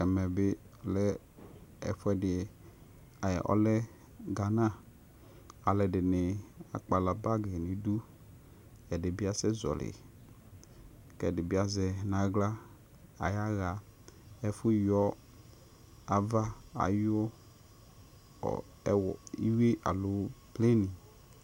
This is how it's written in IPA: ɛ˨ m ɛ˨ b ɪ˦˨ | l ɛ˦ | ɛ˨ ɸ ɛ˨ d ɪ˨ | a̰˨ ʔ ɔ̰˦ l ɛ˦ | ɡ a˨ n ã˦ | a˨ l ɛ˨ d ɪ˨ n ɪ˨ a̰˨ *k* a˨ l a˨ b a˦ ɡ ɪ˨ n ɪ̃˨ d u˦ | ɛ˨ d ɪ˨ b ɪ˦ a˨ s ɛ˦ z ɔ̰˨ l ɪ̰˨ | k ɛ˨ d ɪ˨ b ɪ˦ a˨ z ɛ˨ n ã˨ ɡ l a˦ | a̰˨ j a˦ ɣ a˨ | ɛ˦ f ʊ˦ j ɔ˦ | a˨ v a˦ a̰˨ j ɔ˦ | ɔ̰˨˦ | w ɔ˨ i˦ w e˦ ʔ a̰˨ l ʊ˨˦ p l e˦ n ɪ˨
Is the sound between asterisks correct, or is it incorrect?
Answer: incorrect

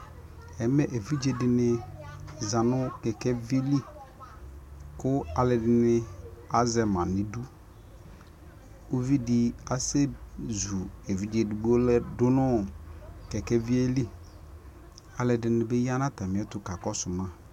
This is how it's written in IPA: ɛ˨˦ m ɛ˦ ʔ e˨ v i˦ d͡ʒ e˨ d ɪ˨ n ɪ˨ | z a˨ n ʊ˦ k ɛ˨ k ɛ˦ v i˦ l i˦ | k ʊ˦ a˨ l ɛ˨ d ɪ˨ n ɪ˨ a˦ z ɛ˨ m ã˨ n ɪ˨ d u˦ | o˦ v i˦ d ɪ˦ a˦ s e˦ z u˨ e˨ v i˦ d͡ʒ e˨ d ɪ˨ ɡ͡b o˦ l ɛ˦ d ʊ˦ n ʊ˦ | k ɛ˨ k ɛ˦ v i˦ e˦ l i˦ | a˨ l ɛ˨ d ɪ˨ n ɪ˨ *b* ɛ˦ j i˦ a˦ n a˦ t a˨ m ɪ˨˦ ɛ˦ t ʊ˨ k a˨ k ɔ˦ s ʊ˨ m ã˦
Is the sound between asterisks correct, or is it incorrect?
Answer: correct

